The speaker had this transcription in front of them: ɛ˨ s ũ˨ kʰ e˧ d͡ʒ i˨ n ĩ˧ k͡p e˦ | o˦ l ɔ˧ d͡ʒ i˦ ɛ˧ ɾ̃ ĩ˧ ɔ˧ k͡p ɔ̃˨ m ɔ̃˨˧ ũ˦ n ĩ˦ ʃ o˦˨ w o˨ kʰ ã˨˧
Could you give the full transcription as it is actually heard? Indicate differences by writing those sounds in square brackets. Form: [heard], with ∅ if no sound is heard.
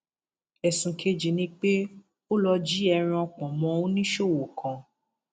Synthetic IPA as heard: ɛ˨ s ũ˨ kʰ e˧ d͡ʒ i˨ n ĩ˧ k͡p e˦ | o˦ l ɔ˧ d͡ʒ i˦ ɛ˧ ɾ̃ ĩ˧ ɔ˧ k͡p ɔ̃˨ m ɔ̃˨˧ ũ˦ n ĩ˦ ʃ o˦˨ w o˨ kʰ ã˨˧